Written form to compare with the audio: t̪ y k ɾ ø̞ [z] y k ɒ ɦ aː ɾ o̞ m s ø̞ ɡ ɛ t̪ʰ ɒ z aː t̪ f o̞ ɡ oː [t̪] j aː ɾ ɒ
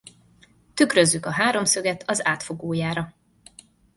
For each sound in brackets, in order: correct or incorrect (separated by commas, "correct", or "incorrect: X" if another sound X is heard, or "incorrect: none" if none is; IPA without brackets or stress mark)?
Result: incorrect: zː, incorrect: none